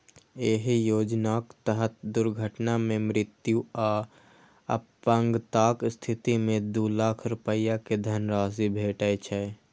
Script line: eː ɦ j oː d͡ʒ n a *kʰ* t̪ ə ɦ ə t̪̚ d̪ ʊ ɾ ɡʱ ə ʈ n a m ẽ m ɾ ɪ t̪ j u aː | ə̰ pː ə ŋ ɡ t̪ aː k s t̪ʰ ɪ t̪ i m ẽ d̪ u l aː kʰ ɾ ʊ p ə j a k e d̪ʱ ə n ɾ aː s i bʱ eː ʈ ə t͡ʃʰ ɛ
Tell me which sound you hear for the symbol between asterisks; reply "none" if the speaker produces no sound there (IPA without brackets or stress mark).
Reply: k